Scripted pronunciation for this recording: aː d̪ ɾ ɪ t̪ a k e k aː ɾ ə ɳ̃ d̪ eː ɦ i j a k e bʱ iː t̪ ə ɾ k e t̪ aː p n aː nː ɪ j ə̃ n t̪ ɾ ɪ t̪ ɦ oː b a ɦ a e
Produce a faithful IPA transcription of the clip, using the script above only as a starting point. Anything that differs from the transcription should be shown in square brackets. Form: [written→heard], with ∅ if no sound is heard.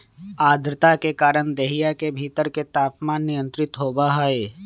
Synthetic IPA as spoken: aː d̪ ɾ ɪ t̪ a k e k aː ɾ ə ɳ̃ d̪ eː ɦ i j a k e bʱ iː t̪ ə ɾ k e t̪ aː p [n→m] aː nː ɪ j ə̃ n t̪ ɾ ɪ t̪ ɦ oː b a ɦ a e